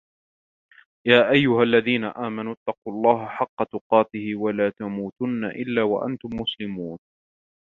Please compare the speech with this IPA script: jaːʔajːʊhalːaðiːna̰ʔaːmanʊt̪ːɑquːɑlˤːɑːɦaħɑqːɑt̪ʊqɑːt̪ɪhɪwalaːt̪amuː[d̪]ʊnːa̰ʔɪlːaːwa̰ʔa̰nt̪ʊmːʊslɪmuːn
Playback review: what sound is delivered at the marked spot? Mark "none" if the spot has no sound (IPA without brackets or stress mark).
t̪